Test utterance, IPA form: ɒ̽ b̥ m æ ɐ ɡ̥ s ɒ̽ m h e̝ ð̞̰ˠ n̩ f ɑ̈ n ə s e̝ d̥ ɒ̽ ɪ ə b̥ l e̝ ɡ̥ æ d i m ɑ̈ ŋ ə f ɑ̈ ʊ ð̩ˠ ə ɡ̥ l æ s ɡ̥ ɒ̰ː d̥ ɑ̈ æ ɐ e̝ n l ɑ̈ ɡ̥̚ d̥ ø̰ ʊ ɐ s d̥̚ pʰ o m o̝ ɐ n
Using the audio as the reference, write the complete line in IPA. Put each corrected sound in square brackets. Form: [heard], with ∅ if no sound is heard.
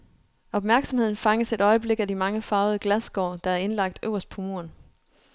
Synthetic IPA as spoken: ɒ̽ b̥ m æ ɐ ɡ̥ s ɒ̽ m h e̝ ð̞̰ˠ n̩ f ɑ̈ [ŋ] ə s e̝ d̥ ɒ̽ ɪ ə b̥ l e̝ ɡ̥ æ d i m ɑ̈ ŋ ə f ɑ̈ ʊ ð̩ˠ ə ɡ̥ l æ s ɡ̥ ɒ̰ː d̥ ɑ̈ æ ɐ e̝ n l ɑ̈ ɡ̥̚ d̥ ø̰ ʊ ɐ s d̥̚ pʰ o m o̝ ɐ n